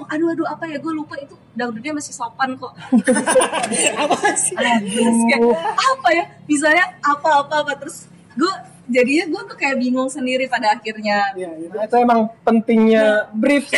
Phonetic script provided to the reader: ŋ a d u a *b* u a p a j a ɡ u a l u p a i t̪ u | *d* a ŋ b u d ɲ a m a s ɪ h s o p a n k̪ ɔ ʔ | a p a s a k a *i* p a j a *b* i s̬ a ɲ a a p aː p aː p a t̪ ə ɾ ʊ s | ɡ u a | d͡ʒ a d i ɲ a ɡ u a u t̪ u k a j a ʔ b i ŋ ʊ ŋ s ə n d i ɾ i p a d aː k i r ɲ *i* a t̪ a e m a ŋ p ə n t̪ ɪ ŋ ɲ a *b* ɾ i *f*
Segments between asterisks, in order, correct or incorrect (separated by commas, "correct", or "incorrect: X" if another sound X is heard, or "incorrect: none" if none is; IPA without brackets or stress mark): incorrect: d, correct, incorrect: a, correct, incorrect: a, correct, correct